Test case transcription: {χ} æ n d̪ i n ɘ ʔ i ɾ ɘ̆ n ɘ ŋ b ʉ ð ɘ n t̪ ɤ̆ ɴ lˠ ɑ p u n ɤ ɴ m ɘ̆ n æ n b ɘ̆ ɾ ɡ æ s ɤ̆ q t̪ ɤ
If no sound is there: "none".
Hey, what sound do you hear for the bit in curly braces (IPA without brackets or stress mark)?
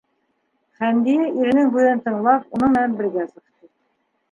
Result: χ